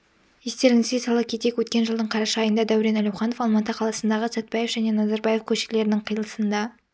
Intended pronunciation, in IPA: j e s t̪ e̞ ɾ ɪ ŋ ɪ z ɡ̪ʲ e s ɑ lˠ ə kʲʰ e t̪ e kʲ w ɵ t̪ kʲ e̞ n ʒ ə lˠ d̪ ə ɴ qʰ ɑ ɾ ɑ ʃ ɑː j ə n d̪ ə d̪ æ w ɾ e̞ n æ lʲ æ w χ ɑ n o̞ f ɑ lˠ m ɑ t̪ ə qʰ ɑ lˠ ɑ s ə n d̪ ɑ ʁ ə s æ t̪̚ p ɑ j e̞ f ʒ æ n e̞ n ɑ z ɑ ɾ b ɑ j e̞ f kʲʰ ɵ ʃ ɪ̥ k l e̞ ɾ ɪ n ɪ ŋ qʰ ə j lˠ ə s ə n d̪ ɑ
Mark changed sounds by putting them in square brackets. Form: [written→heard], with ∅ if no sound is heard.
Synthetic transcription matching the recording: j e s t̪ e̞ ɾ ɪ ŋ ɪ z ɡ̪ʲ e s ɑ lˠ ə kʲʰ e t̪ e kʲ w ɵ t̪ kʲ e̞ n ʒ ə lˠ d̪ ə ɴ qʰ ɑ ɾ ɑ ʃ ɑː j ə n d̪ [ə→ɑ] d̪ æ w ɾ e̞ n æ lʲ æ w χ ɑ n o̞ f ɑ lˠ m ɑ t̪ ə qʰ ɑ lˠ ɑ s ə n d̪ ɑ ʁ ə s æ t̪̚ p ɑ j e̞ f ʒ æ n e̞ n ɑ z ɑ ɾ b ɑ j e̞ f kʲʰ ɵ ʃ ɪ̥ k l e̞ ɾ ɪ n ɪ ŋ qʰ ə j lˠ ə s ə n d̪ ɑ